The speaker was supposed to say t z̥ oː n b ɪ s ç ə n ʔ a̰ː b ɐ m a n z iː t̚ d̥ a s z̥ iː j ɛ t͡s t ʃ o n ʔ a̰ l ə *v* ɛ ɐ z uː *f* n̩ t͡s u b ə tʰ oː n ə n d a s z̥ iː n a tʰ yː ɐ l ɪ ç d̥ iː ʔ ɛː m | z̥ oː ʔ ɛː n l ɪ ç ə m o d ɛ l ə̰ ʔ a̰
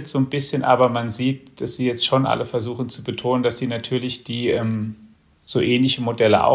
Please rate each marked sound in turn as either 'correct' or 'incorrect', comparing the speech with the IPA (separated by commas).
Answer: incorrect, incorrect